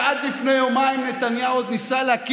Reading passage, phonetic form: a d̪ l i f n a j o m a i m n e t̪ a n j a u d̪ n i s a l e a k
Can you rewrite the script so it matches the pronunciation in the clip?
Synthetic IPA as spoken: a d̪ l i f n e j o m a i m n e t̪ a n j a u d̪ n i s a l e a k